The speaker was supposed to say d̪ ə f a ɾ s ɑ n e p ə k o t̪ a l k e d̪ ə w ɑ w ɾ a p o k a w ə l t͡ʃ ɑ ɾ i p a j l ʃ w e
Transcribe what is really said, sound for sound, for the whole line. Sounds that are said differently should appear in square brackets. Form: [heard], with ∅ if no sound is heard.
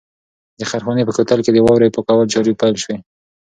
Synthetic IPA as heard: d̪ ə [x] a ɾ [x] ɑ n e p ə k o t̪ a l k e d̪ ə w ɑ w ɾ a p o k a w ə l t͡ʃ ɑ ɾ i p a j l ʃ w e